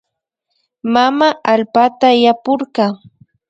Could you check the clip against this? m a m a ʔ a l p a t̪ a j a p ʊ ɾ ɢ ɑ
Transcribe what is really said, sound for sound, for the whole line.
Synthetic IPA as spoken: m a m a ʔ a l p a t̪ a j a p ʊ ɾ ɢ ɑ